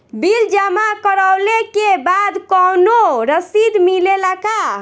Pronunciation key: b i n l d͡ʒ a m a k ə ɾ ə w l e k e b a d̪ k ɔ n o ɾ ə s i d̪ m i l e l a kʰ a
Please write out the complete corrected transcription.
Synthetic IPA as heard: b i l d͡ʒ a m a k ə ɾ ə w l e k e b a d̪ k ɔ n o ɾ ə s i d̪ m i l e l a k a